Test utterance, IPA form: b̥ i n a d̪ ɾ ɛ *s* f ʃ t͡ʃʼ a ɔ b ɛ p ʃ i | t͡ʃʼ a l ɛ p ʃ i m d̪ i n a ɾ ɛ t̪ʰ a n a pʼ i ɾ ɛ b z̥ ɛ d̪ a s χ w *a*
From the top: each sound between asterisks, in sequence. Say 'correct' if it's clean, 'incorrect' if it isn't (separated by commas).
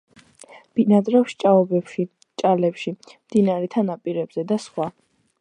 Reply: incorrect, correct